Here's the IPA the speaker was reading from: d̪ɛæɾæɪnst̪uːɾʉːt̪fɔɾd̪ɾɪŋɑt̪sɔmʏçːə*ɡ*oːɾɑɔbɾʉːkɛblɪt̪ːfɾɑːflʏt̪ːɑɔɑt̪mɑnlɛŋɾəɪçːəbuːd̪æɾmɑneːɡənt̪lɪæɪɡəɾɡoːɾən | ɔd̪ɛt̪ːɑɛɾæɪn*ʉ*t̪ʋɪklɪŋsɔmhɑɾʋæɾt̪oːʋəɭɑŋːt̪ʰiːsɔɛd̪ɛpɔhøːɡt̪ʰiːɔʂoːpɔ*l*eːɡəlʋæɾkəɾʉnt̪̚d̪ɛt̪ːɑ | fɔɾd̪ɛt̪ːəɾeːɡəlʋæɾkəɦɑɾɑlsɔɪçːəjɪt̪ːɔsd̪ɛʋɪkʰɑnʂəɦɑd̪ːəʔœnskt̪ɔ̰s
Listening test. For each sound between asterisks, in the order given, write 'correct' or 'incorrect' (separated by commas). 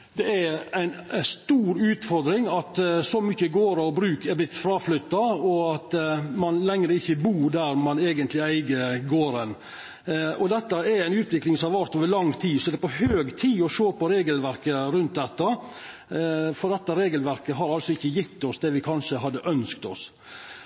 correct, incorrect, incorrect